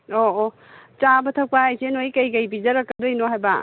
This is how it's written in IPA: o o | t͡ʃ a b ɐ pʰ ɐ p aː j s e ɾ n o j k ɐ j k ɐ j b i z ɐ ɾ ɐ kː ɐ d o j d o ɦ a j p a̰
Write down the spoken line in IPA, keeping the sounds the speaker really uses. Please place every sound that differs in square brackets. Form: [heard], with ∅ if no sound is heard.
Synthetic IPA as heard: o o | t͡ʃ a b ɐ [tʰ] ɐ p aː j s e [∅] n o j k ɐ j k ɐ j b i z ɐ ɾ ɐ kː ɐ d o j [n] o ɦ a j [b] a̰